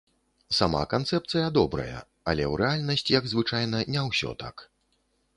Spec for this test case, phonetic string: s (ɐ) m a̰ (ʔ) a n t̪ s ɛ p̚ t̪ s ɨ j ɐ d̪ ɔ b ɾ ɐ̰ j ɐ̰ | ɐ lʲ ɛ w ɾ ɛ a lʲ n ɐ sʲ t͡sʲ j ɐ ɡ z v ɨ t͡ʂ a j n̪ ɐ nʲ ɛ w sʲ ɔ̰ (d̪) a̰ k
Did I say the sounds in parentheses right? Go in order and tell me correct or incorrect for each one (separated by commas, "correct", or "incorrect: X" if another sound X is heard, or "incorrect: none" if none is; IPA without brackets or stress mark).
incorrect: a, incorrect: k, incorrect: t̪